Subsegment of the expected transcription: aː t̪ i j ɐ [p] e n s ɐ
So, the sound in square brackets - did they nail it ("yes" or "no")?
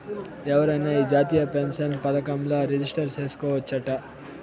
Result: yes